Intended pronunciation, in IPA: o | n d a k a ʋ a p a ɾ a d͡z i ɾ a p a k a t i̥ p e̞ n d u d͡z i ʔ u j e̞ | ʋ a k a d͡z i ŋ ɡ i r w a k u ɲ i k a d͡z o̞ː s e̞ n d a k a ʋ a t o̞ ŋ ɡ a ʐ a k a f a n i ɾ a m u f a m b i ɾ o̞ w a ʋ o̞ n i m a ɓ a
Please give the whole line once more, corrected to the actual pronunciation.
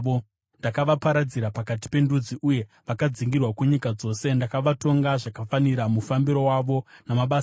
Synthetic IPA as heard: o | n d a k a ʋ a p a ɾ a d͡z i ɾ a p a k a t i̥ p e̞ n d u d͡z i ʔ u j e̞ | ʋ a k a d͡z i ŋ ɡ i r w a k u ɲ i k a d͡z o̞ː s e̞ n d a k a ʋ a t o̞ ŋ ɡ a ʐ a k a f a n i ɾ a m u f a m b i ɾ o̞ w a ʋ o̞ n a m a ɓ a